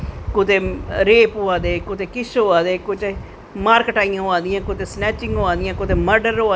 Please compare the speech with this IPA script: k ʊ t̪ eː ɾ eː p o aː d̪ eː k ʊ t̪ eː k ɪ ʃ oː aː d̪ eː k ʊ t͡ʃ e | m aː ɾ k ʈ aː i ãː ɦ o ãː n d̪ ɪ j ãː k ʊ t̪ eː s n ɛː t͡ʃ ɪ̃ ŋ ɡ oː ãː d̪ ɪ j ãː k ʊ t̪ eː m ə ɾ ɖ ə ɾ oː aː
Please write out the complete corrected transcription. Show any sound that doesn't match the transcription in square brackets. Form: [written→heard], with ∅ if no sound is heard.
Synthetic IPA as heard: k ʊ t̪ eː ɾ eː p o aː d̪ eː k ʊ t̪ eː k ɪ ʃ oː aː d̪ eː k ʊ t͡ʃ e | m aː ɾ k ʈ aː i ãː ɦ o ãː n d̪ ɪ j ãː k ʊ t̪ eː s n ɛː t͡ʃ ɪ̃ ŋ ɡ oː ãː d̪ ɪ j ãː k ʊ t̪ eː m ə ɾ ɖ ə ɾ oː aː